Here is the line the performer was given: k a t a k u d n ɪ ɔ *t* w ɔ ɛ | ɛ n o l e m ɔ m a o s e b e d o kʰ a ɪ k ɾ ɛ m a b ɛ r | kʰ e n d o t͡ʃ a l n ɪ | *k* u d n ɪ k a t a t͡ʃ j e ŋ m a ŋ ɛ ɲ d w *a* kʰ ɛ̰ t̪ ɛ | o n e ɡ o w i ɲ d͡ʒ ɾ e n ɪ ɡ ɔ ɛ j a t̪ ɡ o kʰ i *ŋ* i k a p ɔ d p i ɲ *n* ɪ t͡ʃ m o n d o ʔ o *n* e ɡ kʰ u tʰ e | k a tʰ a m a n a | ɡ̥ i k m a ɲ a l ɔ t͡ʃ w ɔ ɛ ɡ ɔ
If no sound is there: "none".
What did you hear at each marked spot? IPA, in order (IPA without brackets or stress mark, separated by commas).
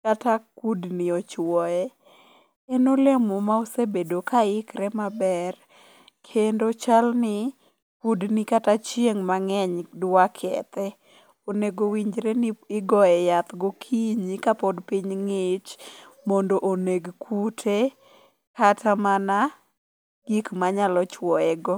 t͡ʃ, k, a, ɲ, ŋ, n